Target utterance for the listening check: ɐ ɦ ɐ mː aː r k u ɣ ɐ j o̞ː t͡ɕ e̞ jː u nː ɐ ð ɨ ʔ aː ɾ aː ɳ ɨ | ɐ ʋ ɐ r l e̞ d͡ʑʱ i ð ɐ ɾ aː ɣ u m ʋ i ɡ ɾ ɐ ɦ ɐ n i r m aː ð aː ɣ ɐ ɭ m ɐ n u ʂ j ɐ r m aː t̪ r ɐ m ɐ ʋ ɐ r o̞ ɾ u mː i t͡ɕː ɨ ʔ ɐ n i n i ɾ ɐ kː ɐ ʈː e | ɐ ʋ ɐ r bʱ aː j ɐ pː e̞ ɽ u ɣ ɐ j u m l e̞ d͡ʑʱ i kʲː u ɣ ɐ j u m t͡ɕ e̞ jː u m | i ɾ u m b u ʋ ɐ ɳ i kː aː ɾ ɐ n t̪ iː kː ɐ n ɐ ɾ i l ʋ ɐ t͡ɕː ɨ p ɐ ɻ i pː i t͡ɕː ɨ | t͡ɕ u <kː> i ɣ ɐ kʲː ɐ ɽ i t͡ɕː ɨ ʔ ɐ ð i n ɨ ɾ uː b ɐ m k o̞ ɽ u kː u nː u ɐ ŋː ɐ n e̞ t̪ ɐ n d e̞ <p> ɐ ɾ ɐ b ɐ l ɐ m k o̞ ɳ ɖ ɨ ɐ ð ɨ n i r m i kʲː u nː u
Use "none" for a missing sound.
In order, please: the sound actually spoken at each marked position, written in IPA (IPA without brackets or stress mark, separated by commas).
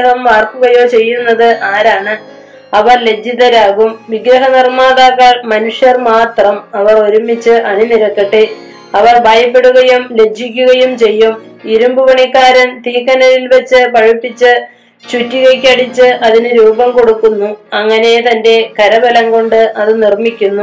tː, k